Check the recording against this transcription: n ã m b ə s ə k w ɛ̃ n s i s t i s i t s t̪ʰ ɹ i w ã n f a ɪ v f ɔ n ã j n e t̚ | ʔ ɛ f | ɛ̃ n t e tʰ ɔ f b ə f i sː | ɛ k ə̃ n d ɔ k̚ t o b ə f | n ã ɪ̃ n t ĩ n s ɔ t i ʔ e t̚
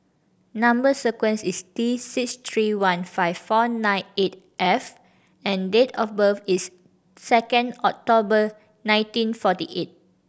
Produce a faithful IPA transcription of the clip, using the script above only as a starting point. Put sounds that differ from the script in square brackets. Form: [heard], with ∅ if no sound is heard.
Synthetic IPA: n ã m b ə s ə k w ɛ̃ n s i s t i s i [k] s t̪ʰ ɹ i w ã n f a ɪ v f ɔ n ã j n e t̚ | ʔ ɛ f | ɛ̃ n [d] e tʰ ɔ f b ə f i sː | ɛ k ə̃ n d ɔ k̚ t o b ə [∅] | n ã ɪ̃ n t ĩ n [f] ɔ t i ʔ e t̚